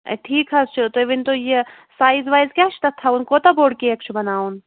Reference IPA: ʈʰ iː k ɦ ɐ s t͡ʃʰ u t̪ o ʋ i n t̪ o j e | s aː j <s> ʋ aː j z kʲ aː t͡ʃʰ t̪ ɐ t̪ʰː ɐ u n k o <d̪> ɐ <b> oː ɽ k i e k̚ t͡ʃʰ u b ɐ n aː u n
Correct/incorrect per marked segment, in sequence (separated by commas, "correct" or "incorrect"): incorrect, incorrect, correct